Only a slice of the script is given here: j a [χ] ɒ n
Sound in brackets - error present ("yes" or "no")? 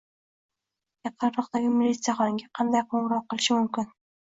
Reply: no